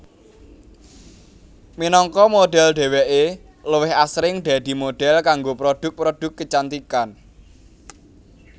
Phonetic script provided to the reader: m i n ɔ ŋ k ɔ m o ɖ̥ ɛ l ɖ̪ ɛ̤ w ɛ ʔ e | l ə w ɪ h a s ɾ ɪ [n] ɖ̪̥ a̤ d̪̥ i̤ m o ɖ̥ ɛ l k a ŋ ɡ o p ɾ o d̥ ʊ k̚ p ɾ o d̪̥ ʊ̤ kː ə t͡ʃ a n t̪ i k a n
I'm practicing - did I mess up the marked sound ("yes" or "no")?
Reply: yes